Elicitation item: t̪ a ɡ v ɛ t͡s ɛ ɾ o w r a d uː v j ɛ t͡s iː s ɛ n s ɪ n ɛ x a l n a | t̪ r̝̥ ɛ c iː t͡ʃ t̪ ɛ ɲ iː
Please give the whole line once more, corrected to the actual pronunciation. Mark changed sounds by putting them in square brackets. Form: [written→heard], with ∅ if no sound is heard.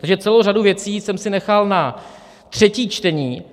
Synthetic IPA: t̪ a ɡ [v→ʒ] ɛ t͡s ɛ [ɾ→l] o w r a d [uː→u] v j ɛ t͡s iː s ɛ [n→m] s ɪ n ɛ x a l n a | t̪ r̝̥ ɛ c iː t͡ʃ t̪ ɛ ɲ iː